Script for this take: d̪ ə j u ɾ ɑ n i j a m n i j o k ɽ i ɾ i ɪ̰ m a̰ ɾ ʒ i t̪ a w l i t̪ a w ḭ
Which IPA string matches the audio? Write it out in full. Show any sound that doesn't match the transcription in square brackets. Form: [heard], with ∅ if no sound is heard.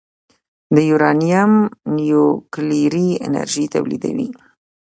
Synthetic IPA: d̪ ə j u ɾ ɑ n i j a m n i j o k [l] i ɾ i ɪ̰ [n] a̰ ɾ ʒ i t̪ a w l i [d̪] a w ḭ